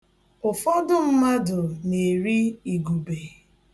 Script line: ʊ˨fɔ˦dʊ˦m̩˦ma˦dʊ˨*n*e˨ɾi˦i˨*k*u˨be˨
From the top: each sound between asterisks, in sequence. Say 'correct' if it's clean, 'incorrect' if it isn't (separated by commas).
correct, incorrect